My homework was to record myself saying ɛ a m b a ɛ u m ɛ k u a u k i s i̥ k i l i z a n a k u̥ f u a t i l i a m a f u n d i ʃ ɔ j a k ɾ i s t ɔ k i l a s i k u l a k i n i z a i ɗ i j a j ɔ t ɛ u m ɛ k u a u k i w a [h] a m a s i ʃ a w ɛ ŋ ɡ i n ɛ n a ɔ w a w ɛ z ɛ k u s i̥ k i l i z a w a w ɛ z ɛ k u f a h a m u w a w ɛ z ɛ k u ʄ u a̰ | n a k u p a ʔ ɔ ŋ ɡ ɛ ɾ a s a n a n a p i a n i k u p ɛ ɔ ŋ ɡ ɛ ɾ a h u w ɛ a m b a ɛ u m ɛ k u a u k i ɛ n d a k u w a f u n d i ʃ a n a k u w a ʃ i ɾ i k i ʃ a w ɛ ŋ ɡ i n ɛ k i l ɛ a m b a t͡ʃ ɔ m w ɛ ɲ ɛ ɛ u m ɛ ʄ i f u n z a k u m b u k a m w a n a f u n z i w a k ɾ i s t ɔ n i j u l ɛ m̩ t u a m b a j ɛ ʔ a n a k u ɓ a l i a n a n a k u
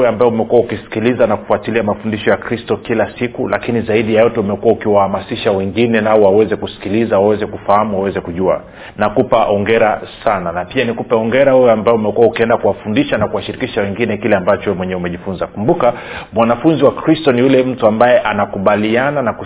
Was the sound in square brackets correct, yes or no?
yes